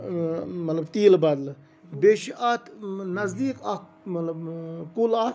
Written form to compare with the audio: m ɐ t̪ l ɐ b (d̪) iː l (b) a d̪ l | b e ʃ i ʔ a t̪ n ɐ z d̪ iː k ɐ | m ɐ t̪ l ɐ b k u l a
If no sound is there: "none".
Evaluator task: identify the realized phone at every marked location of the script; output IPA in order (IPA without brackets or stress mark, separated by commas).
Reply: t̪, b